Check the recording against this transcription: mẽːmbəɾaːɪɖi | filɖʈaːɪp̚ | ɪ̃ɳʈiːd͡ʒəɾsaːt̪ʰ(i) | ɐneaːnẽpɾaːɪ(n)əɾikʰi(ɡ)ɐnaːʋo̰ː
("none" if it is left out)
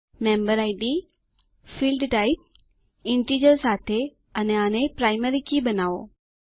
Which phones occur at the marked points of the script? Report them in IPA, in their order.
e, m, b

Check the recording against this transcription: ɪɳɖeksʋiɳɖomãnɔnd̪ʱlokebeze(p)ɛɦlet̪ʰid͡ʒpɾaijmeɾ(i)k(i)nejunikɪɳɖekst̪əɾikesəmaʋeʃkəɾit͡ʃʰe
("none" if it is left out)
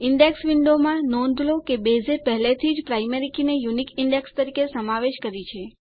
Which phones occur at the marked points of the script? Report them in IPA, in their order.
p, i, i

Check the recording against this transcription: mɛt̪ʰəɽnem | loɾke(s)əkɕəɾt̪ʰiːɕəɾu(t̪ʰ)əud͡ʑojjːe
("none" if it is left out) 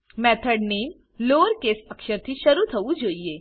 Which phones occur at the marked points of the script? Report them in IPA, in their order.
s, t̪ʰ

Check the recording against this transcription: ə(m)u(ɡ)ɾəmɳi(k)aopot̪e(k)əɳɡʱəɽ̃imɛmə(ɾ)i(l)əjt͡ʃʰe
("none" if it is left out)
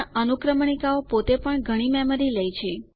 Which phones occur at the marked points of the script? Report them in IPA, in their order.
n, k, k, p, ɾ, l

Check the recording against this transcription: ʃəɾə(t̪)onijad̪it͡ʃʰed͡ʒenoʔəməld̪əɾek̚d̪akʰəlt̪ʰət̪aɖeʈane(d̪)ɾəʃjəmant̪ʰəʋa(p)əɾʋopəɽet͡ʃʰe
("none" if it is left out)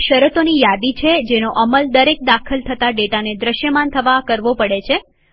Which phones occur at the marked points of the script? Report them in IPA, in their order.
t̪, d̪, k

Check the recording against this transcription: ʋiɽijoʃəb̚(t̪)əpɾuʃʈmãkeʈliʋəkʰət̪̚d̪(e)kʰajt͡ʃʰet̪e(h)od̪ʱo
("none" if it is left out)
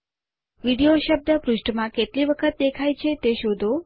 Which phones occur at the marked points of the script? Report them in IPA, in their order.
d̪, e, ʃ

